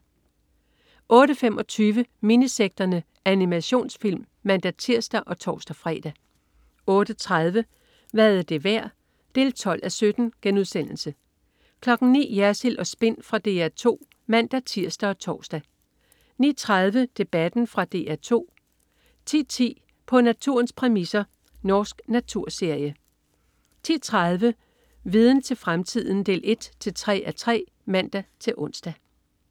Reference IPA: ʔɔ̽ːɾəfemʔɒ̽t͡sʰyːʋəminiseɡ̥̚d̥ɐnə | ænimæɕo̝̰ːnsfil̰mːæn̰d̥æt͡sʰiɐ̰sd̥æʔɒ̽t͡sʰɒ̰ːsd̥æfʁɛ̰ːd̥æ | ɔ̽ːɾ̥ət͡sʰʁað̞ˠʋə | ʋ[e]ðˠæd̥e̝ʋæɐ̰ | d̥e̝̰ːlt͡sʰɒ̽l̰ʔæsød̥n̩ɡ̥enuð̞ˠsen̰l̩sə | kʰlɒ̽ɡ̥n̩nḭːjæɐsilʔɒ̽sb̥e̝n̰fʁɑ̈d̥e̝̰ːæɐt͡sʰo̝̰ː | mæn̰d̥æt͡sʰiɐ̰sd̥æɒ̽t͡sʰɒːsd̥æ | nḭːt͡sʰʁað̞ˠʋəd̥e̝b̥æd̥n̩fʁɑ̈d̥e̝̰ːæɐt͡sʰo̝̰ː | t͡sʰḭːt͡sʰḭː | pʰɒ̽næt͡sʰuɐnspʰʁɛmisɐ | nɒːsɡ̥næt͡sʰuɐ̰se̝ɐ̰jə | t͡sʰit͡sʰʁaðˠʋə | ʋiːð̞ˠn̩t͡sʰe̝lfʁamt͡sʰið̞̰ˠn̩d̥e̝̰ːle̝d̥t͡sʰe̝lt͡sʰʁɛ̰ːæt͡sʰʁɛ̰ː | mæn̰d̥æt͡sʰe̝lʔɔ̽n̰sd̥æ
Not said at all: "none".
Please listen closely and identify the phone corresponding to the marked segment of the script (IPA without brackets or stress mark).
æ